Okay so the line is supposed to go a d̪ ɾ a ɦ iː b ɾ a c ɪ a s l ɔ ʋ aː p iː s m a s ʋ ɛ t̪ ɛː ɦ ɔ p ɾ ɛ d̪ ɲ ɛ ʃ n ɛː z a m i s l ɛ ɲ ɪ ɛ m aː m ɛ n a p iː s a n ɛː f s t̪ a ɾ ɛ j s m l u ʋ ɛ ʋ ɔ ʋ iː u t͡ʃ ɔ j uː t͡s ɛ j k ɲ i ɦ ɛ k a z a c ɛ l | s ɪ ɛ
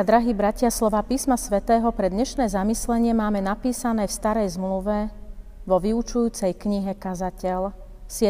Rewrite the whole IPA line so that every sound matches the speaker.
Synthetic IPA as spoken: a d̪ ɾ a ɦ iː b ɾ a c ɪ a s l ɔ ʋ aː p iː s m a s ʋ ɛ t̪ ɛː ɦ ɔ p ɾ ɛ d̪ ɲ ɛ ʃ n ɛː z a m i s l ɛ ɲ ɪ ɛ m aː m ɛ n a p iː s a n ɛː f s t̪ a ɾ ɛ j z m l u ʋ ɛ ʋ ɔ ʋ i u t͡ʃ u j uː t͡s ɛ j k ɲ i ɦ ɛ k a z a c ɛ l | s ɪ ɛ